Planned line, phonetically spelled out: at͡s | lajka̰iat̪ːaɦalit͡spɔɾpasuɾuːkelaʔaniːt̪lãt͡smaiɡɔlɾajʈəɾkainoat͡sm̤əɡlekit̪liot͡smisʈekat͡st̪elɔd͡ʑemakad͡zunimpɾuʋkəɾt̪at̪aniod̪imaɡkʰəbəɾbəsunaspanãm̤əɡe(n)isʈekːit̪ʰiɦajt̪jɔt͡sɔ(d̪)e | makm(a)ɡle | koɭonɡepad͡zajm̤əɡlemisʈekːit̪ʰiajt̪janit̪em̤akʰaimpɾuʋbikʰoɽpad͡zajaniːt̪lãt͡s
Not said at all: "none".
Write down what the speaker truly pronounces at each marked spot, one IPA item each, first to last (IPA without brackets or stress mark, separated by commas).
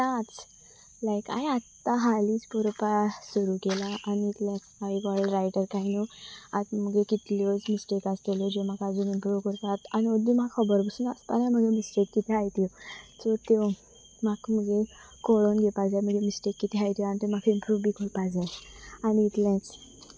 m, t̪, ə